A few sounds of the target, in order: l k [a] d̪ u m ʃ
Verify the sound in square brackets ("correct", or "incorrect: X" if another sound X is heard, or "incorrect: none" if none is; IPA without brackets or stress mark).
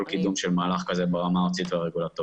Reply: incorrect: i